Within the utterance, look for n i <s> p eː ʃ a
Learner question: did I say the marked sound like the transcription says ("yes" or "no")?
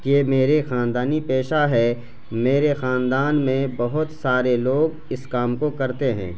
no